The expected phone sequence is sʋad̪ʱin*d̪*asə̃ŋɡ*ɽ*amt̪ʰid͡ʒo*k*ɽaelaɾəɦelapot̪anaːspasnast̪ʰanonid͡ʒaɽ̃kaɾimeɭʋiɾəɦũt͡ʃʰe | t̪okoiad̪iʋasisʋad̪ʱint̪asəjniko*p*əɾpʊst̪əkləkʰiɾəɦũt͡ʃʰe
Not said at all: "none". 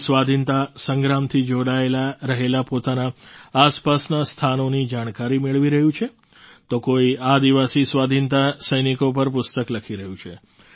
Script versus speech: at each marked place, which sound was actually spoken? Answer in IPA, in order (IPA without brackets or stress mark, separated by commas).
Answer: t̪, ɾ, none, p